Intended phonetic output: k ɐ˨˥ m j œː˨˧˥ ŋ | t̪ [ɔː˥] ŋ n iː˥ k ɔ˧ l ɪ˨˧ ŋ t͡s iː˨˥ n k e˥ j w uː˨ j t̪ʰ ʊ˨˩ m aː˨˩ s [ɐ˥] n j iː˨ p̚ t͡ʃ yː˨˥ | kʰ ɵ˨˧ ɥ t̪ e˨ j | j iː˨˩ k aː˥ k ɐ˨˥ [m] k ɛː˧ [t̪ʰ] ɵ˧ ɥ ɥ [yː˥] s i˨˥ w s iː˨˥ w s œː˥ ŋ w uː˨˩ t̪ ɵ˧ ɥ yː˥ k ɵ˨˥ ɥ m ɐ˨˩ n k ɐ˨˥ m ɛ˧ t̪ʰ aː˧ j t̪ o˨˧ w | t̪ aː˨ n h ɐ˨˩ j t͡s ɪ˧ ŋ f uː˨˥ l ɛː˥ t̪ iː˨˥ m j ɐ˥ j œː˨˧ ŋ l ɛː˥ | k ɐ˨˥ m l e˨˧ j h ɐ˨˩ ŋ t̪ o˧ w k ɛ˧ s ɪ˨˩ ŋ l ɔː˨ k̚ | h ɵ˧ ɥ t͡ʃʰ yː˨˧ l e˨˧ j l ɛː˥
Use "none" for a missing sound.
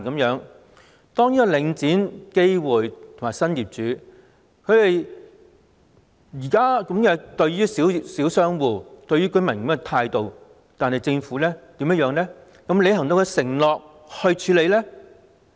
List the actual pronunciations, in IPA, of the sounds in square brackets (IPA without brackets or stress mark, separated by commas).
ɔː˥, ɐ˥, m, t̪, yː˥